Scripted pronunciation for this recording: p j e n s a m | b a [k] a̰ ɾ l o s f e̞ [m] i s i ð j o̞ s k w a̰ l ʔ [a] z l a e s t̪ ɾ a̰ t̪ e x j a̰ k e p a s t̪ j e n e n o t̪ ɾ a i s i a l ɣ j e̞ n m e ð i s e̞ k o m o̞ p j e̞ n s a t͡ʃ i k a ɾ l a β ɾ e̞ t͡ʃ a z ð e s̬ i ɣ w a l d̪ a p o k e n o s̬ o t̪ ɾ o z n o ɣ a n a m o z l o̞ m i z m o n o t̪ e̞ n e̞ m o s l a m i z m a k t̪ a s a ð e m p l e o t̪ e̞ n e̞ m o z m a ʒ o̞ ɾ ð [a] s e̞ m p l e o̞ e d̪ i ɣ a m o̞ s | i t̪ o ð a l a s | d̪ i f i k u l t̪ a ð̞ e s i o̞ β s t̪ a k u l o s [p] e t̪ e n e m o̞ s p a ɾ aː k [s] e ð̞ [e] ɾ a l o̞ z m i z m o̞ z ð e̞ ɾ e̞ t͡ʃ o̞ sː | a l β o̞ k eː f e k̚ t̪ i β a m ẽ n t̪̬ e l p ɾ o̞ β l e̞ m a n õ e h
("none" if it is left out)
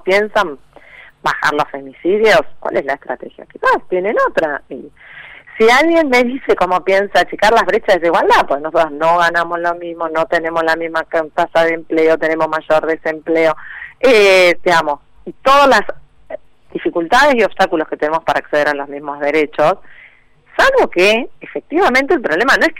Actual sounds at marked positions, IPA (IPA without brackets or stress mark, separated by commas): x, m, e, e, k, s, e